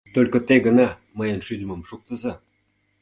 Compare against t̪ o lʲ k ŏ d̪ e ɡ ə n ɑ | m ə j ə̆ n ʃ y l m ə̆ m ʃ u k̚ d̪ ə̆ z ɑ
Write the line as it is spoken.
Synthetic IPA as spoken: t̪ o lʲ k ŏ t̪ e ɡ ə n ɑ | m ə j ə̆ n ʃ y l m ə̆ m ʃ u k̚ t̪ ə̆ z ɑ

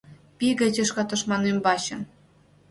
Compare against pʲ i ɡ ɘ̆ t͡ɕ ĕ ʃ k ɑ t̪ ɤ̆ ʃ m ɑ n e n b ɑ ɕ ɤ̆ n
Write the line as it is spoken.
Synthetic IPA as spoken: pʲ i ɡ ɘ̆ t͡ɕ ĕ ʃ k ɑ t̪ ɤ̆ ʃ m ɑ n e m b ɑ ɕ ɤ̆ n

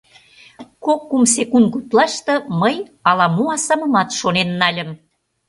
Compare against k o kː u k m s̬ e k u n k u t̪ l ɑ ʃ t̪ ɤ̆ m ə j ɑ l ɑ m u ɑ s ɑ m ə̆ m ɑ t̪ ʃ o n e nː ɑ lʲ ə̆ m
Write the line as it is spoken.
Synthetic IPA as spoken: k o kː u m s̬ e k u n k u t̪ l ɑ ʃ t̪ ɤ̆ m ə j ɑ l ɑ m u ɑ s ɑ m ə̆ m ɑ t̪ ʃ o n e nː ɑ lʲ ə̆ m

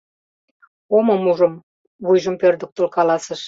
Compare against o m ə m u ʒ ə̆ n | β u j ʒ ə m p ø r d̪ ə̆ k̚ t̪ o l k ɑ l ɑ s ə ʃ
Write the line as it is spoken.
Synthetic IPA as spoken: o m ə m u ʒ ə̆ m | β u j ʒ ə m p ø r d̪ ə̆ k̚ t̪ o l k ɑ l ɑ s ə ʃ

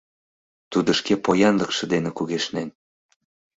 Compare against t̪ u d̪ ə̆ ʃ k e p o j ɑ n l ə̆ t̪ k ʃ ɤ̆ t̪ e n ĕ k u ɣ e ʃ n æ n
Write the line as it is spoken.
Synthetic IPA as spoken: t̪ u d̪ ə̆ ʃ k e p o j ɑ n l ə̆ k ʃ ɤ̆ d̪ e n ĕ k u ɣ e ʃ n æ n

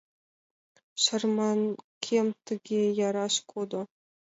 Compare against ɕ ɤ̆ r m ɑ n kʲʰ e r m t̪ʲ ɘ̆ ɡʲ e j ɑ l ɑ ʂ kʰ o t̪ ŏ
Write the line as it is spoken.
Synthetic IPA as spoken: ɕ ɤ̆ r m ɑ n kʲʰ e m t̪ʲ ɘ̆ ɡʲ e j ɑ ɾ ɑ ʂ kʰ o d̪ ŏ

